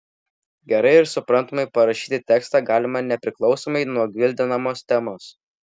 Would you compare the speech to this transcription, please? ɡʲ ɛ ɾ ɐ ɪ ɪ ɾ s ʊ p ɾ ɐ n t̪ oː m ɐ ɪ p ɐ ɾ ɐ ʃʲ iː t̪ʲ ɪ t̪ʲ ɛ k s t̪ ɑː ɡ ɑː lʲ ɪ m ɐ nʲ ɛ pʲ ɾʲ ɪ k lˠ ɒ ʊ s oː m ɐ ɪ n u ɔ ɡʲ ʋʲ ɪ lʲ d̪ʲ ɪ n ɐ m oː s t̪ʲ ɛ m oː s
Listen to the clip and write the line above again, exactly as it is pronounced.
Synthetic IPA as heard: ɡʲ ɛ ɾ ɐ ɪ ɪ ɾ s ʊ p ɾ ɐ n t̪ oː m ɐ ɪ p ɐ ɾ ɐ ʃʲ iː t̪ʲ ɪ t̪ʲ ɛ k s t̪ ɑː ɡ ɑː lʲ ɪ m ɐ nʲ ɛ pʲ ɾʲ ɪ k lˠ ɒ ʊ s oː m ɐ ɪ n u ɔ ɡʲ ʋʲ ɪ lʲ d̪ʲ ɪ n ɐ m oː s t̪ʲ ɛ m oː s